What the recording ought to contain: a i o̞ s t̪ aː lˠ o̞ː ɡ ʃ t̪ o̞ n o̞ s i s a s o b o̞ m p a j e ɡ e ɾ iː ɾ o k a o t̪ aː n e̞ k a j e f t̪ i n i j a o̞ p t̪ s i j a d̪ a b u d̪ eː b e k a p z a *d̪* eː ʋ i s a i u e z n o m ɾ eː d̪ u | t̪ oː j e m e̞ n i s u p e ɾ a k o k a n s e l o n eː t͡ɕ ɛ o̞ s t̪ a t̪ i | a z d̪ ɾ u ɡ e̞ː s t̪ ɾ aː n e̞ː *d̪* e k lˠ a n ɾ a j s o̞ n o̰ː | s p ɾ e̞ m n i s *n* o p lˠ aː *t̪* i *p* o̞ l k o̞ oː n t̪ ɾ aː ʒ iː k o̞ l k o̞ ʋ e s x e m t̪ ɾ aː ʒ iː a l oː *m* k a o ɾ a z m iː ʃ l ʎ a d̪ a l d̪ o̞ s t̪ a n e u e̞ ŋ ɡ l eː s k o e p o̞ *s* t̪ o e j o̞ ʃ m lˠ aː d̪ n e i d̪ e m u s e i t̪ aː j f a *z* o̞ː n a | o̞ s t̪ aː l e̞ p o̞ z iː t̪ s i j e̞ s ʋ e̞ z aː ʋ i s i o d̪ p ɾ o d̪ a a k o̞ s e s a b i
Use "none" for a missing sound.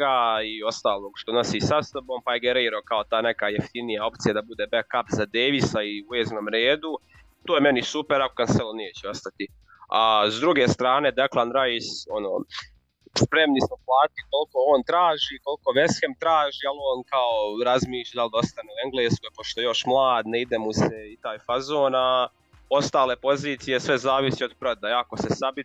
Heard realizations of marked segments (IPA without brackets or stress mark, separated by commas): d̪, d̪, m, t̪, k, n, ʃ, z